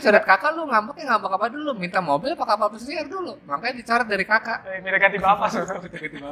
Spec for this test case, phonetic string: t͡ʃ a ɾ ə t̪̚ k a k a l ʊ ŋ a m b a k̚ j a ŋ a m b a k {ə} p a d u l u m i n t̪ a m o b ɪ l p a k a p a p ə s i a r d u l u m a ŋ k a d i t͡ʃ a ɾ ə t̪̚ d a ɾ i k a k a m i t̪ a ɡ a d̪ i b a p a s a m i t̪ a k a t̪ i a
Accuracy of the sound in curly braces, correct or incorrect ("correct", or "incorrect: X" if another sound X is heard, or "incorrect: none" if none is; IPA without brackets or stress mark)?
incorrect: a